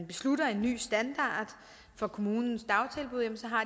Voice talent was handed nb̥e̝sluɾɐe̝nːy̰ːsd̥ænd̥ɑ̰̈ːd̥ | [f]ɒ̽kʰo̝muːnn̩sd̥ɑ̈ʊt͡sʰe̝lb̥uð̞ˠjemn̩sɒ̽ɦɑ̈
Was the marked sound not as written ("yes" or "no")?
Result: no